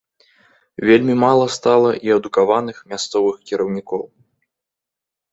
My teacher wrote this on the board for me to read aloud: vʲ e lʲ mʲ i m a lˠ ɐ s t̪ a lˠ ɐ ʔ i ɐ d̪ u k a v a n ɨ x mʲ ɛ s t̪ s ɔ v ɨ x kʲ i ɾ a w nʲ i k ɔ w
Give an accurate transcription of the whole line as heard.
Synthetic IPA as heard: vʲ e lʲ mʲ i m a lˠ ɐ s t̪ a lˠ ɐ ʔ i ɐ d̪ u k a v a n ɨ x mʲ a s t̪ s ɔ v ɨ x kʲ i ɾ ɐ w nʲ i k ɔ w